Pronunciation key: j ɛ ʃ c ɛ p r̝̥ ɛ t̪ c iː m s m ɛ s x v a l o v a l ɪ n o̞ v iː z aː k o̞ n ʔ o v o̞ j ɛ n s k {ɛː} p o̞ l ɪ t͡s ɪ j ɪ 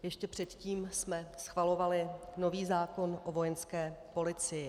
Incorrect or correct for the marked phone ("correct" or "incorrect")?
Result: correct